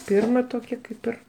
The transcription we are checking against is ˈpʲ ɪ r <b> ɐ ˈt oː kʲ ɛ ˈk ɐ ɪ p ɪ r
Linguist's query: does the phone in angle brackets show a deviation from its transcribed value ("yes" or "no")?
yes